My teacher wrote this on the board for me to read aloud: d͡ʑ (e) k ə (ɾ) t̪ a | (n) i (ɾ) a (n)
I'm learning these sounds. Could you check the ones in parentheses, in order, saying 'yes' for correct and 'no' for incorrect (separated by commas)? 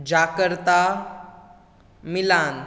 no, yes, no, no, yes